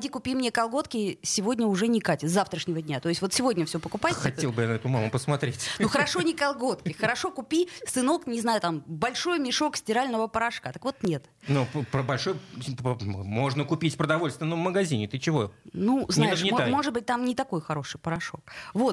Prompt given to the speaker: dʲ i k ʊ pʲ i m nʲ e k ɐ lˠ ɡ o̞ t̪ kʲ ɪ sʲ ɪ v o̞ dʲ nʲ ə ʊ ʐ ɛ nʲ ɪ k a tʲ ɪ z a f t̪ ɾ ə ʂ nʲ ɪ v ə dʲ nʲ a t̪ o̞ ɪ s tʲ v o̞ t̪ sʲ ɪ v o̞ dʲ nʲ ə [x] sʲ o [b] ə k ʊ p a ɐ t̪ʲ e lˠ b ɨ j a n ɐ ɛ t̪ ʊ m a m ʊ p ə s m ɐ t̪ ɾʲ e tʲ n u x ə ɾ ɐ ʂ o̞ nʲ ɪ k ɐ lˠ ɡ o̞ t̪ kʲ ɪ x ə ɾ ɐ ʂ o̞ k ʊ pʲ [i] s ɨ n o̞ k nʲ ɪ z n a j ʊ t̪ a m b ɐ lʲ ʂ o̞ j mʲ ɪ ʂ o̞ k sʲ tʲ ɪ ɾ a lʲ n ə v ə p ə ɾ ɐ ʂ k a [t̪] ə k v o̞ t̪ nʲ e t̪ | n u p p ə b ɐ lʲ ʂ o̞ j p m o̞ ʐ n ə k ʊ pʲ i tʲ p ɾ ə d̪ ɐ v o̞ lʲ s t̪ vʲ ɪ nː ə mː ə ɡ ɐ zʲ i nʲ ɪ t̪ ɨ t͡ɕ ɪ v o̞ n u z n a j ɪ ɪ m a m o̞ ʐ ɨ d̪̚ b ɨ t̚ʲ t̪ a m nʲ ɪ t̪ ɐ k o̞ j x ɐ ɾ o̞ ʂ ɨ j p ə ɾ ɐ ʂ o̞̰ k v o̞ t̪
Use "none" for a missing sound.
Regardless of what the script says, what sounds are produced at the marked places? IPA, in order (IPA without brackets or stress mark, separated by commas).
f, p, i, t̪